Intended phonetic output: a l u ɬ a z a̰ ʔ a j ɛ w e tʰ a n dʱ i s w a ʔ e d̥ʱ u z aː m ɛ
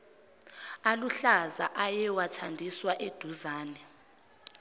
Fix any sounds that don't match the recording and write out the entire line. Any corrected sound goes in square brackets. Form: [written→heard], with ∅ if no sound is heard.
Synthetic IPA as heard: a l u ɬ a z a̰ ʔ a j ɛ w [e→a] tʰ a n dʱ i s w a ʔ e d̥ʱ u z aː [m→n] ɛ